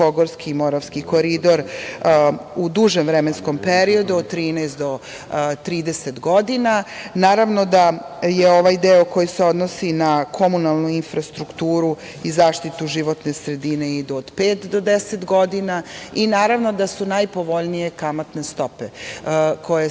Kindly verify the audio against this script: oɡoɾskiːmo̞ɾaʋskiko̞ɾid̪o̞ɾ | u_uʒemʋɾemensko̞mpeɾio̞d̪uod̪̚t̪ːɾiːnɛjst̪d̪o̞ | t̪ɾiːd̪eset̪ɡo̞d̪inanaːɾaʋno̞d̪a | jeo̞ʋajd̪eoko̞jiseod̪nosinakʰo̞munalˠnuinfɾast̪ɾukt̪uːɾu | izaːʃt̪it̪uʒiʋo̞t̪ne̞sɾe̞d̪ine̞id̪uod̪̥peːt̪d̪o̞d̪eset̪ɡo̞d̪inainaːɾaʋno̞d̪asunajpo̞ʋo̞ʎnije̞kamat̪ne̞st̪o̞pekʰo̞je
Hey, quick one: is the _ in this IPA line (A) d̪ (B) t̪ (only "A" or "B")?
A